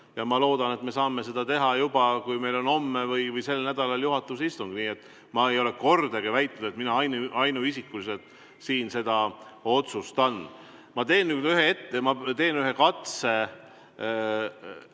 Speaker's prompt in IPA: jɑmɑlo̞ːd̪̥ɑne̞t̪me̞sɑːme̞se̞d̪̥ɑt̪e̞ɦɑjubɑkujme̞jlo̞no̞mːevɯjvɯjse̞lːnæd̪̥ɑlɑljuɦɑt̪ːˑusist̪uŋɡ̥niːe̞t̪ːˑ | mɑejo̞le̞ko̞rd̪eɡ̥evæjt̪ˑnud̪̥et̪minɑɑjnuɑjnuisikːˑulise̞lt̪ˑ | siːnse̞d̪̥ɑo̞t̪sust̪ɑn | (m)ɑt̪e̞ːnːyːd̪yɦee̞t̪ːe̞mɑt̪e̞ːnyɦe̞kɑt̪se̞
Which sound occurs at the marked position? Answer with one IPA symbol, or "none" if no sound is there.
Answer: m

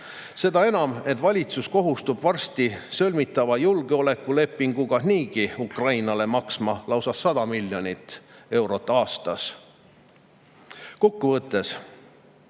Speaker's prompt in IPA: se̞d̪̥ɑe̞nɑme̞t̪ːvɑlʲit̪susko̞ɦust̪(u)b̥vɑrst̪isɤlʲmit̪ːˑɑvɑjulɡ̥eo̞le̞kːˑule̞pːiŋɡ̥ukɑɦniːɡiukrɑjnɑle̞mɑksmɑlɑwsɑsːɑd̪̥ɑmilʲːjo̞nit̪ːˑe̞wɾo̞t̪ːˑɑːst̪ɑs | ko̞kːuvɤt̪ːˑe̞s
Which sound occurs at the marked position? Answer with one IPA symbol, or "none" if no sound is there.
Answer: u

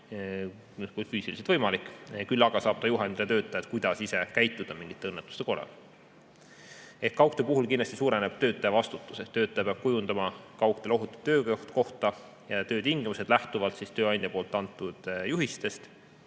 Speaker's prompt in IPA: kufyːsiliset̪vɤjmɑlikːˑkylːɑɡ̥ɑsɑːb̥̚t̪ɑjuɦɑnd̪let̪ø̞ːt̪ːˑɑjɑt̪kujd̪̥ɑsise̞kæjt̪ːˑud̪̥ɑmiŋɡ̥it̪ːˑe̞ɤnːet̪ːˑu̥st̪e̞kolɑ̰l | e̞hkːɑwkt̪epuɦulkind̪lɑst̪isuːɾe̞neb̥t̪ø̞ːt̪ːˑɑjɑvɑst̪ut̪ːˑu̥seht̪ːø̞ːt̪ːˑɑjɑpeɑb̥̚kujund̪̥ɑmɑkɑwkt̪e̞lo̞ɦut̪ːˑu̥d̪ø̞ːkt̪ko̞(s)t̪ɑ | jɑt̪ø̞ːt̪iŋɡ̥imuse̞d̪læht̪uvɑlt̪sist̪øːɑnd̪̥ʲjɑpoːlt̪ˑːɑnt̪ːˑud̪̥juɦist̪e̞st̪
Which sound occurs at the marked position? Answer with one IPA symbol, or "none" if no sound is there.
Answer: h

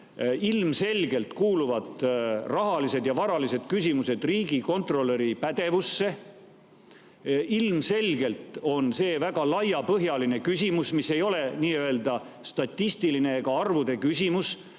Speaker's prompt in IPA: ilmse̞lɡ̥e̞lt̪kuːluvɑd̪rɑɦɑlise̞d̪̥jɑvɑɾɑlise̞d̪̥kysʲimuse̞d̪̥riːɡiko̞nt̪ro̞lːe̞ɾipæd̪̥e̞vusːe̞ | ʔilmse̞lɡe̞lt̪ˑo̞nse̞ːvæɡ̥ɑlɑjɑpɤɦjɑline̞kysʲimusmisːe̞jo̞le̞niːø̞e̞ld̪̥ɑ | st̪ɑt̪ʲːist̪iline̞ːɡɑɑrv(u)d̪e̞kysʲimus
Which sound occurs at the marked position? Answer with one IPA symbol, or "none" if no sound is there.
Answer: u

